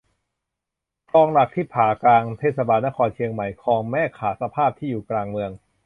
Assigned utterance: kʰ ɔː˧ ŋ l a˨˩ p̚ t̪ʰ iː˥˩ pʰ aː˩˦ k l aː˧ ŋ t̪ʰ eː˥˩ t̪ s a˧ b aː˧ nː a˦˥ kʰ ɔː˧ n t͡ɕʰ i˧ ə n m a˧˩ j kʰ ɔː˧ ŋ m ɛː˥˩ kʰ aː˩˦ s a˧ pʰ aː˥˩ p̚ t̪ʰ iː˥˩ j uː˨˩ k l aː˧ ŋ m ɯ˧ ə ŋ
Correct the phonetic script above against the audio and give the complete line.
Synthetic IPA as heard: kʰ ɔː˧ ŋ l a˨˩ k̚ t̪ʰ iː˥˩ pʰ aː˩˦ k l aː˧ ŋ t̪ʰ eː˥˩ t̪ s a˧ b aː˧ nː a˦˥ kʰ ɔː˧ n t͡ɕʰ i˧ ə ŋ m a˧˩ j kʰ ɔː˧ ŋ m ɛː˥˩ kʰ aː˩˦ s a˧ pʰ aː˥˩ p̚ t̪ʰ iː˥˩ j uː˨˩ k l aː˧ ŋ m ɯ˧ ə ŋ